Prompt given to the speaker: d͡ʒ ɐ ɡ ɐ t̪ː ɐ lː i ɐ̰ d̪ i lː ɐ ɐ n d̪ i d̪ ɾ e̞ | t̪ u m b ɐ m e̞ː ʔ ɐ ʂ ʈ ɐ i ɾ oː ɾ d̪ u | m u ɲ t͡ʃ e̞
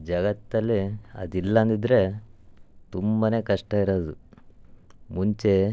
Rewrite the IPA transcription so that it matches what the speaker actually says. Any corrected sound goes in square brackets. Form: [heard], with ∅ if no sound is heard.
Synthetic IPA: d͡ʒ ɐ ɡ ɐ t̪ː ɐ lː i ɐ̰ d̪ i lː ɐ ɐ n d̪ i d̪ ɾ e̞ | t̪ u m b ɐ [n] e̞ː [k] ɐ ʂ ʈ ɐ i ɾ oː [∅] d̪ u | m u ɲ t͡ʃ e̞